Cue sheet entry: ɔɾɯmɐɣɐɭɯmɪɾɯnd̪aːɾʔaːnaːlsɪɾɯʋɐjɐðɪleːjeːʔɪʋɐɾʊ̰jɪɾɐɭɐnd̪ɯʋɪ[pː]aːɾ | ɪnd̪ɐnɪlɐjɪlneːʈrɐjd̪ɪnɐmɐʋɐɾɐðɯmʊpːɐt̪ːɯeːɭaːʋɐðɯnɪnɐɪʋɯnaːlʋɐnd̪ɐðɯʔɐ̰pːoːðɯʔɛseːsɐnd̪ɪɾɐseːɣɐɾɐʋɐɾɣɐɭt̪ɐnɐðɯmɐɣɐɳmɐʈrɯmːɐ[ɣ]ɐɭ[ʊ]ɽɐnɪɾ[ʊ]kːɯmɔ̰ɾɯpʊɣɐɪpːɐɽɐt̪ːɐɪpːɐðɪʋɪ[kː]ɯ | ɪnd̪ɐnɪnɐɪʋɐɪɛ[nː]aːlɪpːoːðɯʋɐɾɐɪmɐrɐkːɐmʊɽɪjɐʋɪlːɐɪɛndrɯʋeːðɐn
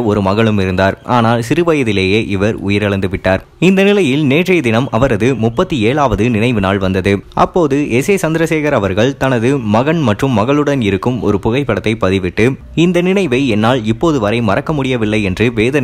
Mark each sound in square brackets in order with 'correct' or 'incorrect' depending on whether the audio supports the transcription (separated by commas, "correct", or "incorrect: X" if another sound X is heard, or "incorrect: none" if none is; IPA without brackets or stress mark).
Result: incorrect: ʈː, correct, incorrect: ɯ, incorrect: ɯ, incorrect: ʈː, correct